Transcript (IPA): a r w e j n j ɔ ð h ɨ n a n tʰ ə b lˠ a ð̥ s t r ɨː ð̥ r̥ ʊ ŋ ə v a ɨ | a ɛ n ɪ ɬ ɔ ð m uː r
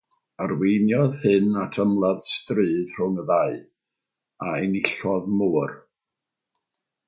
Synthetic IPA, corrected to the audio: a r w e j n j ɔ ð h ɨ n a tʰ ə m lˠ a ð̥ s t r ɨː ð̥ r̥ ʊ ŋ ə ð a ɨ | a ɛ n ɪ ɬ ɔ ð m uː r